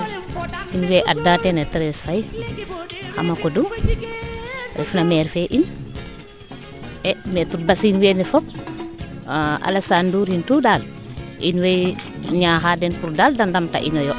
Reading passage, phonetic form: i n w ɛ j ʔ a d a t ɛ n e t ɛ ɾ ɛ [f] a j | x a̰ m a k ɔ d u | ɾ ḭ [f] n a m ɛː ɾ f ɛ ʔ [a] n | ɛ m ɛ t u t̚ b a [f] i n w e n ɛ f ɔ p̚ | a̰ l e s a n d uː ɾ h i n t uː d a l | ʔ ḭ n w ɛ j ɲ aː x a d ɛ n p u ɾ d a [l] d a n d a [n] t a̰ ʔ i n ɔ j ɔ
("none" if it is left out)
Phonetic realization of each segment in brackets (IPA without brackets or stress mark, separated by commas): s, f, i, s, l, m